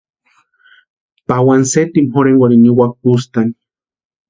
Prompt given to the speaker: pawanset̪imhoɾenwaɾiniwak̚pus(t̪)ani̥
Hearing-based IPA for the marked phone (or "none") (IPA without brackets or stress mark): t̪